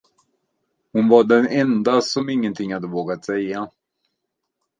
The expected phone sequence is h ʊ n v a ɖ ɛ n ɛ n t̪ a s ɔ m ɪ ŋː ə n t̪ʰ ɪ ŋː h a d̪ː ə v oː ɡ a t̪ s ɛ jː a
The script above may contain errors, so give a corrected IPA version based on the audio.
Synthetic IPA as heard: h ʊ n v a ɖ ɛ n ɛ n d̪ a s ɔ m ɪ ŋː ə n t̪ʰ ɪ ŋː h a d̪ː ə v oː ɡ a t̪ s ɛ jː a